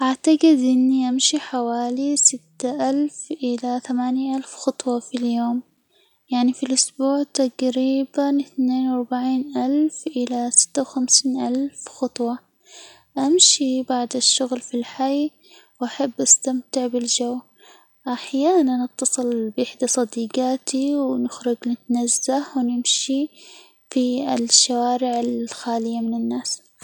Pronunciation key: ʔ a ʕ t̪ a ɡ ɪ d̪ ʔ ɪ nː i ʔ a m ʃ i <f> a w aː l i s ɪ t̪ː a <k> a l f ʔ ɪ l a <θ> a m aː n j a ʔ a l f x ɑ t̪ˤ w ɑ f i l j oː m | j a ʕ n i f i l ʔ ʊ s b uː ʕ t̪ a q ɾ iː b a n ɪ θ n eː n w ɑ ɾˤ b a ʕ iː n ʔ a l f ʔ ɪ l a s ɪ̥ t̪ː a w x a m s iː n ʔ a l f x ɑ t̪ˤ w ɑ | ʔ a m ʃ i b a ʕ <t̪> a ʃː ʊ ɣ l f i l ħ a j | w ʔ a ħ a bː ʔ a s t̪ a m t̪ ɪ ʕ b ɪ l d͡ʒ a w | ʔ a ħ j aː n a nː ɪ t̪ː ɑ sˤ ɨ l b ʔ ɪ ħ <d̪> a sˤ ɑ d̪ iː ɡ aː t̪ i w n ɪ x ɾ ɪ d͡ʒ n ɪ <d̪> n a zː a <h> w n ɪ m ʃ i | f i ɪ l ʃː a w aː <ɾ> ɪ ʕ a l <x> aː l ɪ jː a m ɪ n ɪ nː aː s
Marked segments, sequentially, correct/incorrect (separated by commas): incorrect, incorrect, correct, incorrect, correct, incorrect, correct, correct, correct